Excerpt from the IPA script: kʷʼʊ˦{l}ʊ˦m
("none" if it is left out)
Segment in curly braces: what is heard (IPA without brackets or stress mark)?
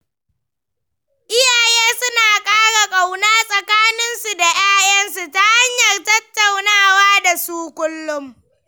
lː